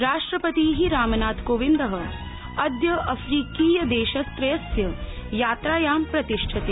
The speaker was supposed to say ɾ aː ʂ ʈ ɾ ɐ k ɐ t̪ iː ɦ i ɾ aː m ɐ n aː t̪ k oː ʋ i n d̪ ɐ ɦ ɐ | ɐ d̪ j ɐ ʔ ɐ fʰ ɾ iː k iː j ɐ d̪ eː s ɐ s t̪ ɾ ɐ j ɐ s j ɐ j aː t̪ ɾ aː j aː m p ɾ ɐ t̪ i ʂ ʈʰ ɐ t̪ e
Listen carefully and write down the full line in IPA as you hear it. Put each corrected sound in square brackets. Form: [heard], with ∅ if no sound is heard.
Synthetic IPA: ɾ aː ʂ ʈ ɾ ɐ [p] ɐ t̪ iː ɦ i ɾ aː m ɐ n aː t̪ k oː ʋ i n d̪ ɐ ɦ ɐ | ɐ d̪ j ɐ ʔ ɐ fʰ ɾ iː k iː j ɐ d̪ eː [ʃ] ɐ s t̪ ɾ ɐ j ɐ s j ɐ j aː t̪ ɾ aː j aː m p ɾ ɐ t̪ i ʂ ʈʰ ɐ t̪ e